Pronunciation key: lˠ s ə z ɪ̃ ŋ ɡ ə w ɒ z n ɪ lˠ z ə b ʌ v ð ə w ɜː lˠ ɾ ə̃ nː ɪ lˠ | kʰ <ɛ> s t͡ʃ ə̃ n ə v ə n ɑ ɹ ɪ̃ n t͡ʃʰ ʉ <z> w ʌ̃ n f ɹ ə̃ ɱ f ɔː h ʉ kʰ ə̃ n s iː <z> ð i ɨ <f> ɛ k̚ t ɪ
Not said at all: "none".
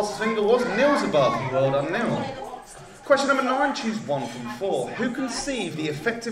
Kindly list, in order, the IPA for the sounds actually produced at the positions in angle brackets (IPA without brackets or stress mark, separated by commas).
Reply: ɛ, z, v, f